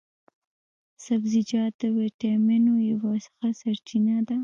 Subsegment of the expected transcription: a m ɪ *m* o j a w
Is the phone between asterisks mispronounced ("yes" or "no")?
yes